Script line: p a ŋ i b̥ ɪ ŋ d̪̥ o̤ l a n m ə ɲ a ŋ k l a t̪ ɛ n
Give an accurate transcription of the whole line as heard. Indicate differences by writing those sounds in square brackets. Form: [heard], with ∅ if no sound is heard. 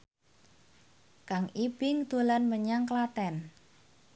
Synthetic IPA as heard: [k] a ŋ i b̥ ɪ ŋ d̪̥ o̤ l a n m ə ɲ a ŋ k l a t̪ ɛ n